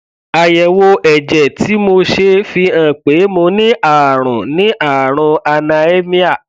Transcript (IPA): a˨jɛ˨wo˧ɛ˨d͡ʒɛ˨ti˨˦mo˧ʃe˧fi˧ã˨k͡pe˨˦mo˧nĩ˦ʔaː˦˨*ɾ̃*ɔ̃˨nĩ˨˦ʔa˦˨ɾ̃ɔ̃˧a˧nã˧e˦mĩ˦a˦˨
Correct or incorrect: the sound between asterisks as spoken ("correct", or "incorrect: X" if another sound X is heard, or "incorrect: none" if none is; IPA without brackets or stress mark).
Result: correct